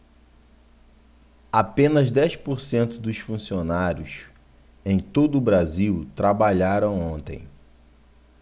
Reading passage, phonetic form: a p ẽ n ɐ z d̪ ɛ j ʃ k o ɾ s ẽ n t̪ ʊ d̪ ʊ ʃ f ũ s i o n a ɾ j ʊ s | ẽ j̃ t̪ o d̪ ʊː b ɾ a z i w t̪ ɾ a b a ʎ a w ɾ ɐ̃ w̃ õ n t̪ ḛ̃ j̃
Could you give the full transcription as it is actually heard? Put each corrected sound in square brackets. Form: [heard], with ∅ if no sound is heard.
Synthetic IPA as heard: a p ẽ n ɐ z d̪ ɛ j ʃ [p] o ɾ s ẽ n t̪ ʊ d̪ ʊ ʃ f ũ s i o n a ɾ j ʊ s | ẽ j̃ t̪ o d̪ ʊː b ɾ a z i w t̪ ɾ a b a ʎ a [∅] ɾ ɐ̃ w̃ õ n t̪ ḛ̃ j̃